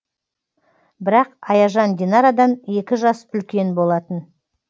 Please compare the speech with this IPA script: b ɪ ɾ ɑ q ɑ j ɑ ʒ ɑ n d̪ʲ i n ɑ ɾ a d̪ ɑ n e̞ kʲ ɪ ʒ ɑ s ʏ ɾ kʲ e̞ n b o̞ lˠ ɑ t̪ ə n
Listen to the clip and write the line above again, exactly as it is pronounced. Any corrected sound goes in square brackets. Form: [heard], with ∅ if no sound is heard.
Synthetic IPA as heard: b ɪ ɾ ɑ q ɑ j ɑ ʒ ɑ n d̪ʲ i n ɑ ɾ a d̪ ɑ n e̞ kʲ ɪ ʒ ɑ s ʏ [l] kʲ e̞ n b o̞ lˠ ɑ t̪ ə n